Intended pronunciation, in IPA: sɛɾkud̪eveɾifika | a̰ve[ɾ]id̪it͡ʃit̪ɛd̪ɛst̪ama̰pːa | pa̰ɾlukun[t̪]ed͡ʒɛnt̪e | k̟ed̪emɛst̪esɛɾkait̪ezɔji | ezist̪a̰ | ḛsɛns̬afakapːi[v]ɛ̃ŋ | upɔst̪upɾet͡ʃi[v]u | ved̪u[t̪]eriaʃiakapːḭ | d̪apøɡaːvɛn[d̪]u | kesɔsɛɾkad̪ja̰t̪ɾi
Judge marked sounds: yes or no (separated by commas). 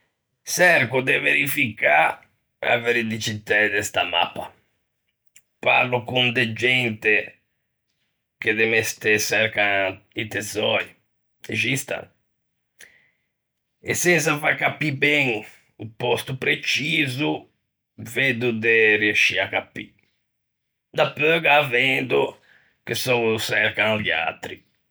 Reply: yes, no, no, no, no, yes